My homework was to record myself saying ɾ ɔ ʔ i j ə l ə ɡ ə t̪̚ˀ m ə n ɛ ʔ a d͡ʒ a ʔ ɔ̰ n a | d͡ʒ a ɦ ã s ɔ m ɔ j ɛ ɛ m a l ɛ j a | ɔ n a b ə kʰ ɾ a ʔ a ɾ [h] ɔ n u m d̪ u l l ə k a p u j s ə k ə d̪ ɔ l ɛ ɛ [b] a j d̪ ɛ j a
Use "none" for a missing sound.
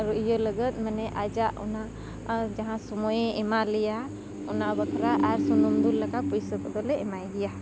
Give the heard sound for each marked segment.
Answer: s, m

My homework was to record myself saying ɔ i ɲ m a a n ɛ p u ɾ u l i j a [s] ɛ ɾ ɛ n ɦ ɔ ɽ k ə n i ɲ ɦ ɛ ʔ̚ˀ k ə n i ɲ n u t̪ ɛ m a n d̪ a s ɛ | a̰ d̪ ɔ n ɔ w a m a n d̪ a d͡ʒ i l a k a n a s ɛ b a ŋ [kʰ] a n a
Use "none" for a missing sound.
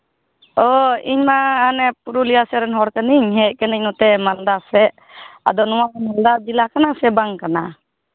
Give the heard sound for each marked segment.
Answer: s, k

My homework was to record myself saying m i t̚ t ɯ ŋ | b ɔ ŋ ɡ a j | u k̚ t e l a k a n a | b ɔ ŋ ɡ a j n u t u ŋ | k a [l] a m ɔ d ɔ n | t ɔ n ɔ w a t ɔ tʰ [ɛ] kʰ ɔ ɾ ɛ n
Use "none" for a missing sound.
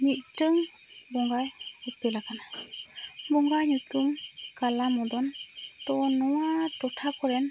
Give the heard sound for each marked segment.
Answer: l, a

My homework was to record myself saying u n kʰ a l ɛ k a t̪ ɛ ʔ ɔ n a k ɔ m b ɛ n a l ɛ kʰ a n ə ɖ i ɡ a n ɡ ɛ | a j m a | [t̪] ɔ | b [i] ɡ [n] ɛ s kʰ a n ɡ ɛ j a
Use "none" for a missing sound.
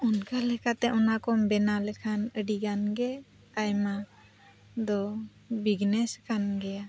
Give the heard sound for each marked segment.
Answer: d̪, i, n

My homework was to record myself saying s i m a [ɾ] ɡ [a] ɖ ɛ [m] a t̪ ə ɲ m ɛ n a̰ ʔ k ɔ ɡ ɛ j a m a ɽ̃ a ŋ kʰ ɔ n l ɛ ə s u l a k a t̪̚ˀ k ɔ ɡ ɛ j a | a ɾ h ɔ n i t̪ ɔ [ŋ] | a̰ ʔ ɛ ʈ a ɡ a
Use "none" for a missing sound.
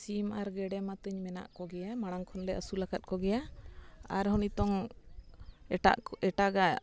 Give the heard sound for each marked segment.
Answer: ɾ, ɛ, m, ŋ

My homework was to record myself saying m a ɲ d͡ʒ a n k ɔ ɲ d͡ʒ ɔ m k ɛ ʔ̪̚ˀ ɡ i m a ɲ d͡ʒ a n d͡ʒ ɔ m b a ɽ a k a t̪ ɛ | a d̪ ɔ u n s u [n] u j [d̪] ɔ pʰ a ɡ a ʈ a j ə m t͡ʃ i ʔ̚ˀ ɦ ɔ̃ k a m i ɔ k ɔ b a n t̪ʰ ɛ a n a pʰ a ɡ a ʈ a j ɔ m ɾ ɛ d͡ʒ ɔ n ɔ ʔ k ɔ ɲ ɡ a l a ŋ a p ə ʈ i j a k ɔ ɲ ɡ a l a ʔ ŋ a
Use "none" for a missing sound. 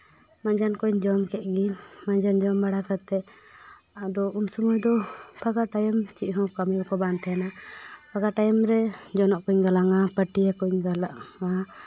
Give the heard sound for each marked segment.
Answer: m, d̪

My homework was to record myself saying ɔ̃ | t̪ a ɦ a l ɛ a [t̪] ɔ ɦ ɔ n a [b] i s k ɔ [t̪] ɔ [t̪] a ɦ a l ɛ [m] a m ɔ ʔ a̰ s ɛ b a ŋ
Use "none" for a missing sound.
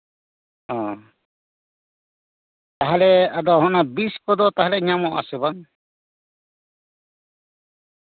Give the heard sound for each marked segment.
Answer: d̪, b, d̪, t̪, ɲ

